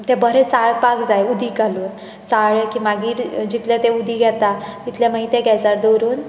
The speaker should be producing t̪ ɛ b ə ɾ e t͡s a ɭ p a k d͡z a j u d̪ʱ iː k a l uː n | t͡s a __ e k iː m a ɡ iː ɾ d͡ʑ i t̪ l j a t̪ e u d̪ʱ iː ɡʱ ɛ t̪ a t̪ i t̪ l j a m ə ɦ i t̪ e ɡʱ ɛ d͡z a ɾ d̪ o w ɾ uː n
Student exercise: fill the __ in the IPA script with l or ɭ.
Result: ɭ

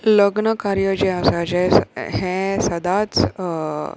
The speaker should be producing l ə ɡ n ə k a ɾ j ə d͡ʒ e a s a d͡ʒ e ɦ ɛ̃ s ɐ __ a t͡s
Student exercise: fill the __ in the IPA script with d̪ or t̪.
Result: d̪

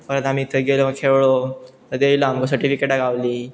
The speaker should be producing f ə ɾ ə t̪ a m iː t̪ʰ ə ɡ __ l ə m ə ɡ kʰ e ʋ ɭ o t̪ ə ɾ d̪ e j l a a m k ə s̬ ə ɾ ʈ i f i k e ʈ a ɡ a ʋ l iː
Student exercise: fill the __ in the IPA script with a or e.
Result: e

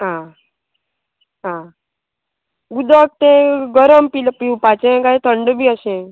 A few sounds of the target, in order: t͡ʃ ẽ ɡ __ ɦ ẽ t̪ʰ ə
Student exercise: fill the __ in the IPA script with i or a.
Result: a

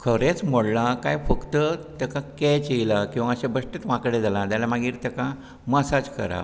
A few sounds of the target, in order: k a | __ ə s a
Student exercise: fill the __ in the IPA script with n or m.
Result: m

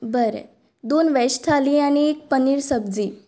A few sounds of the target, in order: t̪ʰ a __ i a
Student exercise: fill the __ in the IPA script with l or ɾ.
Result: l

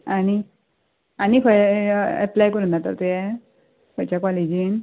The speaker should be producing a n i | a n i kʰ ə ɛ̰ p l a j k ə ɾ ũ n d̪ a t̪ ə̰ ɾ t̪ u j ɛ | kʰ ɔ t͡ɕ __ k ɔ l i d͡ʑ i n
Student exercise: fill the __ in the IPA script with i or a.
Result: a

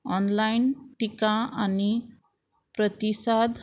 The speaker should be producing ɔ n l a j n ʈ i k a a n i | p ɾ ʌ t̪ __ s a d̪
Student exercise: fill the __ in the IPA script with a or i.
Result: i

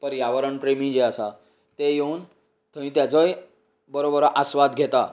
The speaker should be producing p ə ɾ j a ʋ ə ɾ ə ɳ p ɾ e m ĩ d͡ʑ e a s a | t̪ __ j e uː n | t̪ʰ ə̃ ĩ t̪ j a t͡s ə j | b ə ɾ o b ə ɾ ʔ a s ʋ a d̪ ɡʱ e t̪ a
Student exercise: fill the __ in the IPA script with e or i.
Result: e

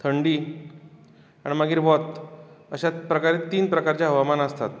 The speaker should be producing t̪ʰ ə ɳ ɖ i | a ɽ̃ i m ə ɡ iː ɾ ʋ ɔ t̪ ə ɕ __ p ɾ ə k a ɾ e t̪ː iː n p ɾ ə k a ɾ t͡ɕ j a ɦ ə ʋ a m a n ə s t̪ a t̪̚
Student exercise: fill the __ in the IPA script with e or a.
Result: a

